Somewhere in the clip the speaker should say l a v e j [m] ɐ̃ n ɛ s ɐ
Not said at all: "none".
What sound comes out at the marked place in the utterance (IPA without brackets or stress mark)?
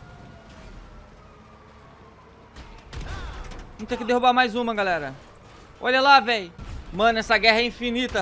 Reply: m